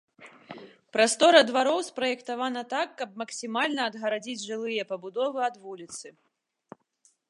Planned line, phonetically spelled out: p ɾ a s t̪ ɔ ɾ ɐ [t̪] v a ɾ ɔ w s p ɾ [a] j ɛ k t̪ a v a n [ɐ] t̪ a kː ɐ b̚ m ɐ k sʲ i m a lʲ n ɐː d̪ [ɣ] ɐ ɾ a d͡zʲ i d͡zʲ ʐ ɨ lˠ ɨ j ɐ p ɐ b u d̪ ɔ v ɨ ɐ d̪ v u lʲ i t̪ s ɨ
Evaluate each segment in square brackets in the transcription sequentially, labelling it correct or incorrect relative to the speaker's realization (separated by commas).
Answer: incorrect, incorrect, correct, correct